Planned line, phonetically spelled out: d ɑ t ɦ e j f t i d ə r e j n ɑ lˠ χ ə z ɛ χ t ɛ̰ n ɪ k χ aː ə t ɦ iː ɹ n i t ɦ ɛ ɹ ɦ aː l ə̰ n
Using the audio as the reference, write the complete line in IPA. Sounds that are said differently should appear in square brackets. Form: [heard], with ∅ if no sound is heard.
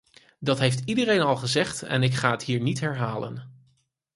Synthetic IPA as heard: d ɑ t ɦ e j f t i d ə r e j n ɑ lˠ χ ə z ɛ χ t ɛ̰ n ɪ k χ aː ə t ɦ iː ɹ n i t ɦ ɛ ɹ ɦ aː l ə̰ n